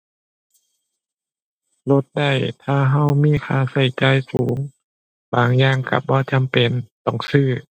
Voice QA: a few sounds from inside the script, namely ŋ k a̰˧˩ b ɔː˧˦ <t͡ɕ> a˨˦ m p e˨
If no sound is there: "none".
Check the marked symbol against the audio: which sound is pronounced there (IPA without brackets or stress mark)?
t͡ɕ